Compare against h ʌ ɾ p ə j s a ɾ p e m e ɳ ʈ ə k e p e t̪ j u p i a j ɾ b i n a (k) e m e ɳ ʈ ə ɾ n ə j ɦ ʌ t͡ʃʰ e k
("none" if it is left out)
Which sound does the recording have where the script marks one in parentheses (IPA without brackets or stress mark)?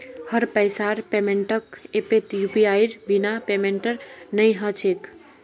p